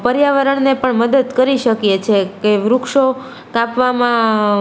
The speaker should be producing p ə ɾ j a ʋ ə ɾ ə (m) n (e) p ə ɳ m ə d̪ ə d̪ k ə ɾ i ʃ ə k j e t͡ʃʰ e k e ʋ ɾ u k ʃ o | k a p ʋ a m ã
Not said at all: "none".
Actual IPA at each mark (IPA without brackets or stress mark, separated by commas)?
ɳ, e